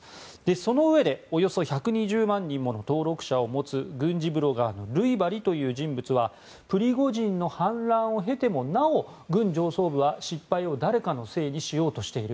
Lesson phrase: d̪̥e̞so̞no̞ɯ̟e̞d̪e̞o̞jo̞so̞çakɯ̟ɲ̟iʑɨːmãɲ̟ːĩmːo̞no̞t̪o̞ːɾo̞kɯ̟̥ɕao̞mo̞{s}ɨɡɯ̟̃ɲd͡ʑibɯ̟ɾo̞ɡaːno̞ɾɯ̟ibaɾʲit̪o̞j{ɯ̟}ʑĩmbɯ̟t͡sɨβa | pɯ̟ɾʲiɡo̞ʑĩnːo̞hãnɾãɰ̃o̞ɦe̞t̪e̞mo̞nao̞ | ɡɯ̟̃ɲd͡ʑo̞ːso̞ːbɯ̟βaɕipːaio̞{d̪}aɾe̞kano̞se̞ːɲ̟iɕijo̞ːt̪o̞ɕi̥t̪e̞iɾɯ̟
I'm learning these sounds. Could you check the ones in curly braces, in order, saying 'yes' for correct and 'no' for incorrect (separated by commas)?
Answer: no, no, yes